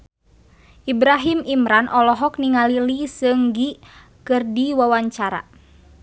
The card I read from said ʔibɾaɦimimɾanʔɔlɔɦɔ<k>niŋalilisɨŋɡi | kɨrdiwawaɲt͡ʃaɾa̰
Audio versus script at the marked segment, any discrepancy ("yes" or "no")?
no